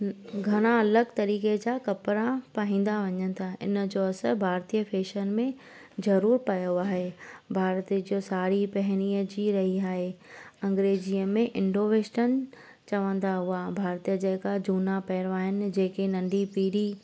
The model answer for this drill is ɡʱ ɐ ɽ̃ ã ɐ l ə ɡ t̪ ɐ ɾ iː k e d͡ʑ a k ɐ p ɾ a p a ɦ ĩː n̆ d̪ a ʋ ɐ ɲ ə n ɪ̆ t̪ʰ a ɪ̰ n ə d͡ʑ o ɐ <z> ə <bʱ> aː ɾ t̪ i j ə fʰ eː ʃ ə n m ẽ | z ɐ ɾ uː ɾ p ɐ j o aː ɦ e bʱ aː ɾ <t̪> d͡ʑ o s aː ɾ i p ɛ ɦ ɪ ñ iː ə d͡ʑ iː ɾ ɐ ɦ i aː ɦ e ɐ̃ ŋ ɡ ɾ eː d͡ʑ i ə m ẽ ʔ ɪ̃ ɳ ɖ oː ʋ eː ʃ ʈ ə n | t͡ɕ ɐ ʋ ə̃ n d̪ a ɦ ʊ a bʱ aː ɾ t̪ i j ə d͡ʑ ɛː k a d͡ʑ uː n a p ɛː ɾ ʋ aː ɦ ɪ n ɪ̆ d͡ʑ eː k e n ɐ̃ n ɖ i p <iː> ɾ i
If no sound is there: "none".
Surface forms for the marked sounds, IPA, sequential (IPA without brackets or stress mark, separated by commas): s, bʱ, t̪, iː